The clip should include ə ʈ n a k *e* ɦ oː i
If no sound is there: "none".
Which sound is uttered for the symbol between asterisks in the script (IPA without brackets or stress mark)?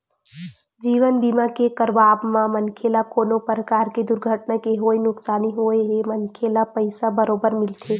e